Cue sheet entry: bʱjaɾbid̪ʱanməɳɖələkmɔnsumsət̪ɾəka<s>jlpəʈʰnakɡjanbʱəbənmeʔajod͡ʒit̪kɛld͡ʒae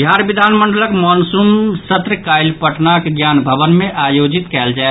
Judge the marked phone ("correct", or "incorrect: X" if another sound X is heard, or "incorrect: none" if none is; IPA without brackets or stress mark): incorrect: none